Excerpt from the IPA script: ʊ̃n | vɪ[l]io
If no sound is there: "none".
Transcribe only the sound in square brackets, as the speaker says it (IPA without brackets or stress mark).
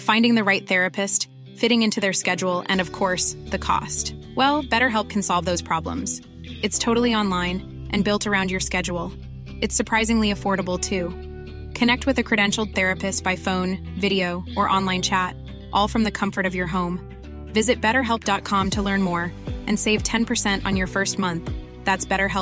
ɾ